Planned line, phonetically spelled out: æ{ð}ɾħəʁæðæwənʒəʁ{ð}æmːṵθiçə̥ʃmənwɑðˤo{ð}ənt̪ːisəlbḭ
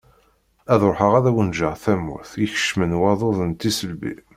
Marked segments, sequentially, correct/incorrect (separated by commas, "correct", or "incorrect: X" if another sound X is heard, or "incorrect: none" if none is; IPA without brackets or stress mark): correct, incorrect: θ, correct